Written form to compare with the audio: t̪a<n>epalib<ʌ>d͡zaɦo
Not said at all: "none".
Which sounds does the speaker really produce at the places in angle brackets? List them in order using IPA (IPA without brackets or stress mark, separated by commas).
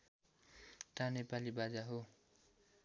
n, a